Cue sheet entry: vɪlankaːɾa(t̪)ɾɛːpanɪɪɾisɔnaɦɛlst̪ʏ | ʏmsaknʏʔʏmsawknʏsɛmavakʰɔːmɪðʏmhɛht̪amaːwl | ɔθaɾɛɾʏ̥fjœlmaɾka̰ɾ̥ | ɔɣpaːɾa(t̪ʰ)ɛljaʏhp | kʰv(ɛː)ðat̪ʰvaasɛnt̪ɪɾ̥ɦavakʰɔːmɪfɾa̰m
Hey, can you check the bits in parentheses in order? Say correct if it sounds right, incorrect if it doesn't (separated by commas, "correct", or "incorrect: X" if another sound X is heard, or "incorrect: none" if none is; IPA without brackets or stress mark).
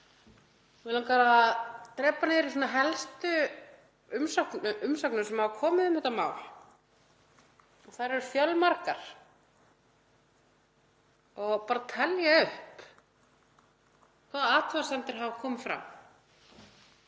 correct, correct, incorrect: aː